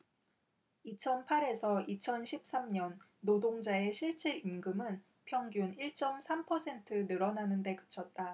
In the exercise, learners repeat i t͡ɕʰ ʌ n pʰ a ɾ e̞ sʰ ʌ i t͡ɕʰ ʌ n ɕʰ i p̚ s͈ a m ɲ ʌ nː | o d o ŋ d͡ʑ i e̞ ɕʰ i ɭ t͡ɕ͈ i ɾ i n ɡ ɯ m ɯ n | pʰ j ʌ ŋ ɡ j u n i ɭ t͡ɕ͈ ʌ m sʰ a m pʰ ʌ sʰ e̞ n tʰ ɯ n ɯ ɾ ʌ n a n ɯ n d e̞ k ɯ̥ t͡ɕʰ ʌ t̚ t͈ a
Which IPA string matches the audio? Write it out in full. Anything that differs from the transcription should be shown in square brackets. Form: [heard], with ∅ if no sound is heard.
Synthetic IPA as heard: i t͡ɕʰ ʌ n pʰ a ɾ e̞ sʰ ʌ i t͡ɕʰ ʌ n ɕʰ i p̚ s͈ a m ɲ ʌ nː | o d o ŋ d͡ʑ [a] e̞ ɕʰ i ɭ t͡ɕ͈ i ɾ i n ɡ ɯ m ɯ n | pʰ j ʌ ŋ ɡ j u n i ɭ t͡ɕ͈ ʌ m sʰ a m pʰ ʌ sʰ e̞ n tʰ ɯ n ɯ ɾ ʌ n a n ɯ n d e̞ k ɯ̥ t͡ɕʰ ʌ t̚ t͈ a